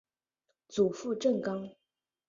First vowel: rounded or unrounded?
rounded